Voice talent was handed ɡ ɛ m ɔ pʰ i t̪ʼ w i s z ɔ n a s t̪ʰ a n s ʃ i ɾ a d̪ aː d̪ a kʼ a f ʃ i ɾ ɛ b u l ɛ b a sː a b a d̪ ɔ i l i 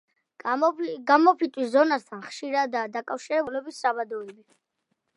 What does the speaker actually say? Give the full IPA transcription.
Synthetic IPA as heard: ɡ a m ɔ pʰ i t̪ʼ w i s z ɔ n a s t̪ʰ a n χ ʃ i ɾ a d̪ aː d̪ a kʼ a f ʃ i ɾ ɛ b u l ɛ b i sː a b a d̪ ɔ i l i